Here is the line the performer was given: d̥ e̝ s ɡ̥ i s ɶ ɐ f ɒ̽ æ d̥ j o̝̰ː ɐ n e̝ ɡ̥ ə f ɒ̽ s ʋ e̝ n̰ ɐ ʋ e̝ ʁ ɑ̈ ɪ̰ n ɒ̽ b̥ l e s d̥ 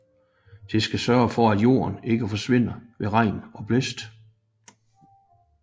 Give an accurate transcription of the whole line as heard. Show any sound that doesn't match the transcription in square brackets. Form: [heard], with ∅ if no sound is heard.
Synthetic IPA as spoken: d̥ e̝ s ɡ̥ [æ] s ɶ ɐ f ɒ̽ æ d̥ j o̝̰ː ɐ n e̝ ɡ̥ ə f ɒ̽ s ʋ e̝ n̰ ɐ ʋ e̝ ʁ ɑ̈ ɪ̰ n ɒ̽ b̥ l e s d̥